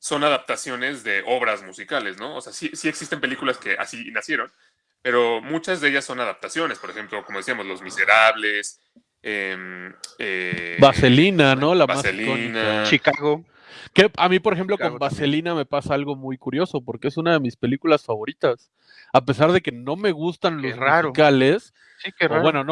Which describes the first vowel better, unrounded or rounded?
rounded